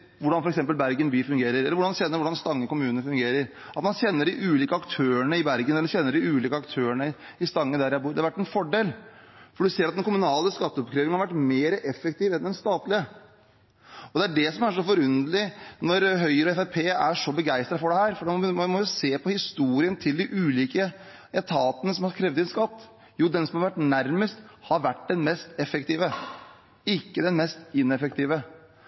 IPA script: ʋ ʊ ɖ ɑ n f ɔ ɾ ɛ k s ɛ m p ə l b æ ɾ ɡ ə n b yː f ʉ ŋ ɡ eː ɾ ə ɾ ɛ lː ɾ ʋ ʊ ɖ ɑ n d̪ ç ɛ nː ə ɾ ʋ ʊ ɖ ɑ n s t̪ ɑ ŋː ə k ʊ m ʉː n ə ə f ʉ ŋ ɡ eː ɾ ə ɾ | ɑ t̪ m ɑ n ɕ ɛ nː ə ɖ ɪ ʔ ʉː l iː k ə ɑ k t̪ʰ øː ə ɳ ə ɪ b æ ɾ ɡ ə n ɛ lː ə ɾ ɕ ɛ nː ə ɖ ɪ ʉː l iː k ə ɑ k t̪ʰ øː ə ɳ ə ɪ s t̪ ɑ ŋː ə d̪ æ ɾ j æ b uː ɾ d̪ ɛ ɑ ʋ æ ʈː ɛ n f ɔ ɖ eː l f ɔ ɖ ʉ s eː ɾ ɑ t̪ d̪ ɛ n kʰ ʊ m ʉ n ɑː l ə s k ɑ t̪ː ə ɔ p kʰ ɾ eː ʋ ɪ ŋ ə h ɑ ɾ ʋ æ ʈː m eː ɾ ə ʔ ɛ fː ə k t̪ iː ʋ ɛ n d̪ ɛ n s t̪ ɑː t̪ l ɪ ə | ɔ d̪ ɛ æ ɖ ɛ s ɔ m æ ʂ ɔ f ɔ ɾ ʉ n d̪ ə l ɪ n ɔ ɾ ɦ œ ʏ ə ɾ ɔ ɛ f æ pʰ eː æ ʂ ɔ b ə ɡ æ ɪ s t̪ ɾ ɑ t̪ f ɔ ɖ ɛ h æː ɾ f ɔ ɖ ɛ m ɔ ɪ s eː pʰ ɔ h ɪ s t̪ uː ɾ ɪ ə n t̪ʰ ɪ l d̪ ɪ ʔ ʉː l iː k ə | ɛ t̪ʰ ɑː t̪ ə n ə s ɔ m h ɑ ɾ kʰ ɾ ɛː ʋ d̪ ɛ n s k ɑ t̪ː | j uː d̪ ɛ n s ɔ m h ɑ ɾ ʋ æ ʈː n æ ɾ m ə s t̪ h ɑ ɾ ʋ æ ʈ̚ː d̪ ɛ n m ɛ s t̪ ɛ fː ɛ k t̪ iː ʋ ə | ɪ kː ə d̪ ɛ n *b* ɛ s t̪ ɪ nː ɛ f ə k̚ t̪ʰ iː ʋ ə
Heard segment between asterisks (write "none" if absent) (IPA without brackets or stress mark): m